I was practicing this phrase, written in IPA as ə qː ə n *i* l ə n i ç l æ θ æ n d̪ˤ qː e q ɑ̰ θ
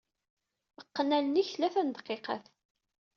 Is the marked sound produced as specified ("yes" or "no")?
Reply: no